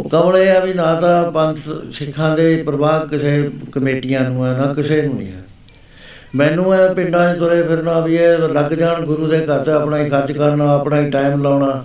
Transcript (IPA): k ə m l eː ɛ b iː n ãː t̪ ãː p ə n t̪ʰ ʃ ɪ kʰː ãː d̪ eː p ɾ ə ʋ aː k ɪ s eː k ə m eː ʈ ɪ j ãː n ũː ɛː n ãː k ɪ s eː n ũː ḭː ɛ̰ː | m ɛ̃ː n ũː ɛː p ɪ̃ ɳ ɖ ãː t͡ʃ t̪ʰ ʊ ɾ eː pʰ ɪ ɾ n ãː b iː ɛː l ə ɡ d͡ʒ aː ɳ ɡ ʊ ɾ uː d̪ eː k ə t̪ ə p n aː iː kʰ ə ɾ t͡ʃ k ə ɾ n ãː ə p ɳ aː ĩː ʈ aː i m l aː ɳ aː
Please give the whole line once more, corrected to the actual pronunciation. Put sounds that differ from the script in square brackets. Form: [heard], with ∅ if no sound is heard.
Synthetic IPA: k ə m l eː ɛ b iː n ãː t̪ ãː p ə n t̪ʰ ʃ ɪ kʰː ãː d̪ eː p ɾ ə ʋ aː k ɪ s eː k ə m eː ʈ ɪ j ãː n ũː ɛː n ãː k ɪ s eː n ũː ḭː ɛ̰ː | m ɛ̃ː n ũː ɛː p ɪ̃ ɳ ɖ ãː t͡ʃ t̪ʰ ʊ ɾ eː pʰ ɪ ɾ n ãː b iː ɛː l ə ɡ d͡ʒ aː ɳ ɡ ʊ ɾ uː d̪ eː k ə t̪ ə p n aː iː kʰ ə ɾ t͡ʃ k ə ɾ n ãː ə p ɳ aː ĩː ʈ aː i m l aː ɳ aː